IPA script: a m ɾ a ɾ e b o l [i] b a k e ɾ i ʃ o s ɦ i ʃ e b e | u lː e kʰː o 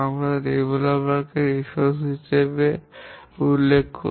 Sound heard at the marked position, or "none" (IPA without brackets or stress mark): a